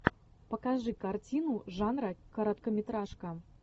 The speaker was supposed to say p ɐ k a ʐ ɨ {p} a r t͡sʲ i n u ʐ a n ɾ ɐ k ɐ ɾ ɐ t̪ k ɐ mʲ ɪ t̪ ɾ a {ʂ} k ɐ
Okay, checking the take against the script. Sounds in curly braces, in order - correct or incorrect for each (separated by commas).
incorrect, correct